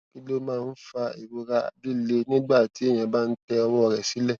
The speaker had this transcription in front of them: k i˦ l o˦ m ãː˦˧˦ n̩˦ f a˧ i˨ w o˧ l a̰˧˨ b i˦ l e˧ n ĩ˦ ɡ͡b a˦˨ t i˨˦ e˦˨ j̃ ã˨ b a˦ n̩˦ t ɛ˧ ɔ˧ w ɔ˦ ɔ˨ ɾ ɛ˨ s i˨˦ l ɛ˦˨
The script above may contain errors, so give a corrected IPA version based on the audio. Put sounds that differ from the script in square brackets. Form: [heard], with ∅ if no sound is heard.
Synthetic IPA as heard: k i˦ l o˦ m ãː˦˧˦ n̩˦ f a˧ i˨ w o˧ [ɾ] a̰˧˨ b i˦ l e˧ n ĩ˦ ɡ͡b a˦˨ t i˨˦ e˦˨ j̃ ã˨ b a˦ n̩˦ t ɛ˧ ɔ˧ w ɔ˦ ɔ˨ ɾ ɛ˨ s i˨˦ l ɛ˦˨